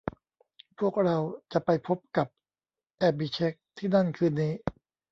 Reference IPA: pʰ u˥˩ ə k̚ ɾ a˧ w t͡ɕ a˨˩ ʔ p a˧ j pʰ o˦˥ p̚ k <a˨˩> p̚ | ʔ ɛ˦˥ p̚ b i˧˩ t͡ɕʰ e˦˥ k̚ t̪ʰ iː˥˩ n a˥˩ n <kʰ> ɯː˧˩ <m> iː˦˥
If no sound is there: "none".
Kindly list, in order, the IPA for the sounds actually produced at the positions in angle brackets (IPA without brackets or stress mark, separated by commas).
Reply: a˨˩, kʰ, n